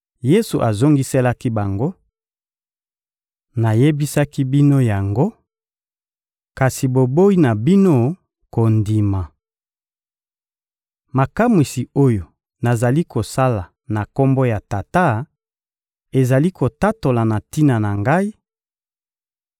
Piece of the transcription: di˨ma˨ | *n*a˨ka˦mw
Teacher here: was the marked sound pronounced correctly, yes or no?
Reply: no